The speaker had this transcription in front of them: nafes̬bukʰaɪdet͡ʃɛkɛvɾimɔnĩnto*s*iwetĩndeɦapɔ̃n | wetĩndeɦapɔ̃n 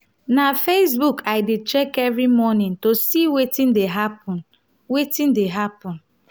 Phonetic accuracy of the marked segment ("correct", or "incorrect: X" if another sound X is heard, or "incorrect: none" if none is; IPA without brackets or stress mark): correct